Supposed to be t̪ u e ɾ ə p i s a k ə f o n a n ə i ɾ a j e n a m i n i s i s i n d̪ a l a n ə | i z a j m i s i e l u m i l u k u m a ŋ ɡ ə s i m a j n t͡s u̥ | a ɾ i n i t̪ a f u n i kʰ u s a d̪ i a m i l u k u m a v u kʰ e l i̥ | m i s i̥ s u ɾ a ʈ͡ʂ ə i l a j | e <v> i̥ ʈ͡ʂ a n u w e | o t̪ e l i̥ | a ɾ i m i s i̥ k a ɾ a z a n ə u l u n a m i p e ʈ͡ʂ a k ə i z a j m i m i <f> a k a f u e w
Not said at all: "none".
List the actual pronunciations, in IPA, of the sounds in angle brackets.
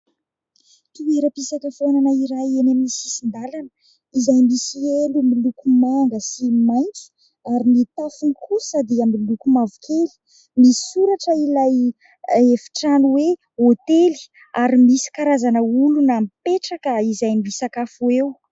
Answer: f, s

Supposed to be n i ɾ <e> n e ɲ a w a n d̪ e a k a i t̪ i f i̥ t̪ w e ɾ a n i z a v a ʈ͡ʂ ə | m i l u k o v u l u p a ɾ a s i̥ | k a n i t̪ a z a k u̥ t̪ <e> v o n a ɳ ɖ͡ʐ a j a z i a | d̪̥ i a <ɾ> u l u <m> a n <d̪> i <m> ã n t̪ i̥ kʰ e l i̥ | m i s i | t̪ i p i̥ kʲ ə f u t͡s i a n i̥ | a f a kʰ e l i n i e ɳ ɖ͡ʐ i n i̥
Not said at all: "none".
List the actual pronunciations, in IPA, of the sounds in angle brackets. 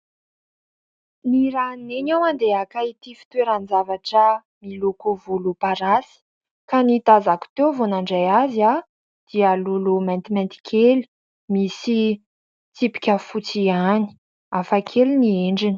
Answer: a, e, l, m, t̪, m

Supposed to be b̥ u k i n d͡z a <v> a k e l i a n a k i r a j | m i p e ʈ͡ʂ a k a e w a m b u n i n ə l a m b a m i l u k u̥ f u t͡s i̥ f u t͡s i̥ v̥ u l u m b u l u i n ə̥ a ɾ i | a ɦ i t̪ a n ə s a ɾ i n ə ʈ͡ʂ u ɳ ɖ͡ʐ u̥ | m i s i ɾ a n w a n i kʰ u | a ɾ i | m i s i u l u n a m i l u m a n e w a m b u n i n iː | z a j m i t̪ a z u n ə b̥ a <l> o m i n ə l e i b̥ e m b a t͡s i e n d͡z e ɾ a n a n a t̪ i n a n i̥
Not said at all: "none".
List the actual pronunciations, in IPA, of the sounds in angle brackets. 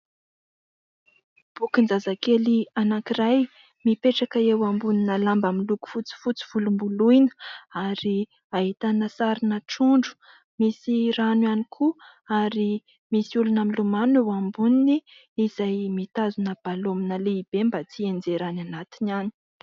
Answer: z, l

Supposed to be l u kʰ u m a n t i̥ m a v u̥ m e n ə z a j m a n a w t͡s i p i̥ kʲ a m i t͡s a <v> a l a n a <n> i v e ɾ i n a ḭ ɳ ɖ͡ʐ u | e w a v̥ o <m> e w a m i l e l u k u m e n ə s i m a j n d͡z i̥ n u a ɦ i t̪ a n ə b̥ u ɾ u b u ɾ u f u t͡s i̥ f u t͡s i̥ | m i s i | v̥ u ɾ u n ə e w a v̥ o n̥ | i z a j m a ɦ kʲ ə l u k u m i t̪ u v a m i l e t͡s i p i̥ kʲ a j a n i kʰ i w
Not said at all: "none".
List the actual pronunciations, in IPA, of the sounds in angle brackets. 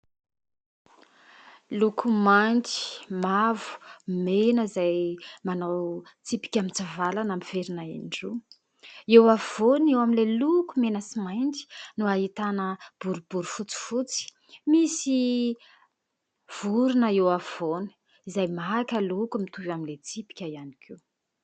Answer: v, m, n

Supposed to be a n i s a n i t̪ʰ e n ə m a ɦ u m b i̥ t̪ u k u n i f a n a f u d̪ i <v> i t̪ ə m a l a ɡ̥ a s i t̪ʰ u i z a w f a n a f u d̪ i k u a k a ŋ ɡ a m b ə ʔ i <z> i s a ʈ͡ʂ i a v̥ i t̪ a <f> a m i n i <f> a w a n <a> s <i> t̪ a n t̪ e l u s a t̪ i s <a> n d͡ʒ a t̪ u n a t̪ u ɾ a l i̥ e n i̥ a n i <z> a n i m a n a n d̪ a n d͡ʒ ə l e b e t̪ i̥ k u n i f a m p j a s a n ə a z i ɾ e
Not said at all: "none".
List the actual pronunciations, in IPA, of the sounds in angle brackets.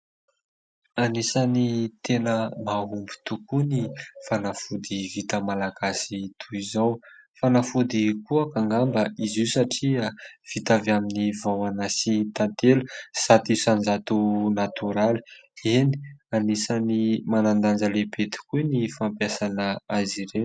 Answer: v, z, v, v, a, i, a, s

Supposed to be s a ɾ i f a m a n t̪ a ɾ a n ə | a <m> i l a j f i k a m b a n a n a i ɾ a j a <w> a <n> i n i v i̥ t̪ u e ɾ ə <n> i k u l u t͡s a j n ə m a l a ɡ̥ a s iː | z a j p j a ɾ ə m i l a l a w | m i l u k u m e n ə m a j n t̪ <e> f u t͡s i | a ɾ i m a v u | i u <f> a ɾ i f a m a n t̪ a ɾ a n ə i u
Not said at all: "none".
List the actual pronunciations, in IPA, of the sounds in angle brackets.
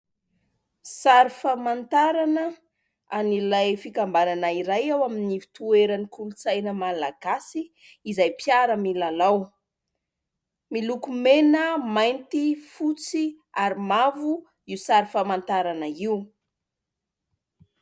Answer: n, w, m, n, i, s

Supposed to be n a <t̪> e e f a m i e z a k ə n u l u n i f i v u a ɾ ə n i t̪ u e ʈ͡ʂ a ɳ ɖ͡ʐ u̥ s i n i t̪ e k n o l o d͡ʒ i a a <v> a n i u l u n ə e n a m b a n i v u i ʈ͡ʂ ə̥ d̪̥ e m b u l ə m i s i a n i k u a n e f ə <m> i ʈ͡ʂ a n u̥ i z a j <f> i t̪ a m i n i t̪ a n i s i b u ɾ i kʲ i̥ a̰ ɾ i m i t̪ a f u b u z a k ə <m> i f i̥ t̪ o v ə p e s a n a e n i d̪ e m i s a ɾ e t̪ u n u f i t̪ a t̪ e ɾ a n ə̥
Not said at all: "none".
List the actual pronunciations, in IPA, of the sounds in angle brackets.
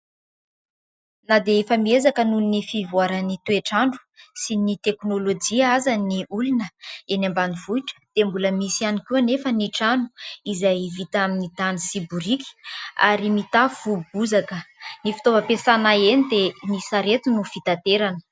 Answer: d̪, z, n, v, n

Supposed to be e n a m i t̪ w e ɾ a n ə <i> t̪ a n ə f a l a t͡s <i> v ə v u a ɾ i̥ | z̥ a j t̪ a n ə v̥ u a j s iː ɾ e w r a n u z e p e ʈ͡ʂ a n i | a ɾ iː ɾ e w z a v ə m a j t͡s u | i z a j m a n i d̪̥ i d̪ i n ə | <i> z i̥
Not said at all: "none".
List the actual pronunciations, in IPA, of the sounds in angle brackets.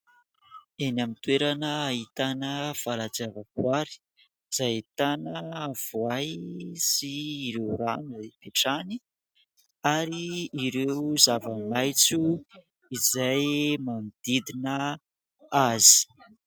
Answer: i, a, a

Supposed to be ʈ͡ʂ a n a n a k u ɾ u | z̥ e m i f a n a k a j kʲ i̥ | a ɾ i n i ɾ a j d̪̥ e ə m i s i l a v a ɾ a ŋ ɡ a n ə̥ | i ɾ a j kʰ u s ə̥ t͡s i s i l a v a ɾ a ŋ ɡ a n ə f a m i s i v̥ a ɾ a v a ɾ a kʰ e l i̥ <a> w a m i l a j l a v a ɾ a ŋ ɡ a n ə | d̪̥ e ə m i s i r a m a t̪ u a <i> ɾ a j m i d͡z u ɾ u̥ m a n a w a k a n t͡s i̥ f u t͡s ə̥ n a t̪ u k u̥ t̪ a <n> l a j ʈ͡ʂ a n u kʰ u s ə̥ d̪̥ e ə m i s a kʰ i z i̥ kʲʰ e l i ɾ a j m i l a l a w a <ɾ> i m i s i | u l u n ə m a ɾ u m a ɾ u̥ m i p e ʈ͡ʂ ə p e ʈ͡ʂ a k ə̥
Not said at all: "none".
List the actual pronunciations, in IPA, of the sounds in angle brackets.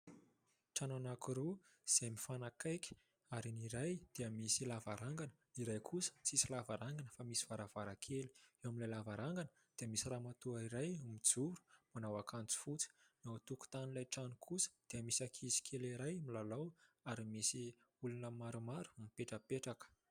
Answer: e, i, n, ɾ

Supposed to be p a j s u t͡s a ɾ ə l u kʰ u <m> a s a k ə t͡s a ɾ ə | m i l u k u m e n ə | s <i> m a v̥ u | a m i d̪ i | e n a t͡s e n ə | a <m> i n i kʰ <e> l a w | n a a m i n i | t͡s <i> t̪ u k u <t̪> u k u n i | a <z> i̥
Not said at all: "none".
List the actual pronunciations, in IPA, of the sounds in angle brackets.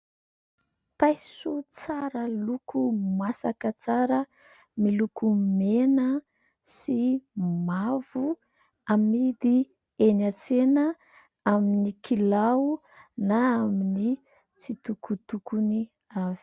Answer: m, i, m, i, i, t̪, v

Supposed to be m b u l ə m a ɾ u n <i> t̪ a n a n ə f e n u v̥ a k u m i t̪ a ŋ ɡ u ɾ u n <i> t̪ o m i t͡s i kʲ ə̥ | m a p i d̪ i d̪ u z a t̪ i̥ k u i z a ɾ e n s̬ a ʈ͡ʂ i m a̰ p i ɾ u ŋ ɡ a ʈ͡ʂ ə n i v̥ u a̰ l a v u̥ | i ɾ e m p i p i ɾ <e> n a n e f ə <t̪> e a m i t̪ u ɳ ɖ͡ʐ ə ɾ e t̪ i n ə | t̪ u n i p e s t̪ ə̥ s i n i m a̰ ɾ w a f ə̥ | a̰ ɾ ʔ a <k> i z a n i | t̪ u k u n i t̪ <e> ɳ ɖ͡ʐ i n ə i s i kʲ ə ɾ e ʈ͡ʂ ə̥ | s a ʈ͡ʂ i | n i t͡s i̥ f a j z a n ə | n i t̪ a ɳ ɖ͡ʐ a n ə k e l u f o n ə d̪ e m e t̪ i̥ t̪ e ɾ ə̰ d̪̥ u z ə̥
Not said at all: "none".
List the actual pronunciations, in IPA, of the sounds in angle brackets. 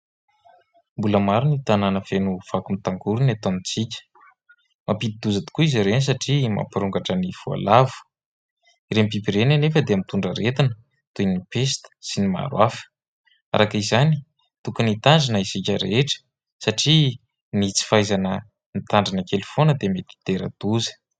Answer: i, a, e, d̪, k, a

